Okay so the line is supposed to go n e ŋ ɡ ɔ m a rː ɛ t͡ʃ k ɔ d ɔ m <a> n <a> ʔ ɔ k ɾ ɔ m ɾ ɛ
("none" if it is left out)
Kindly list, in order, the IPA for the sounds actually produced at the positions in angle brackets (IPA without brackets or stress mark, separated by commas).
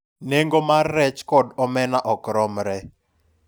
ɛ, a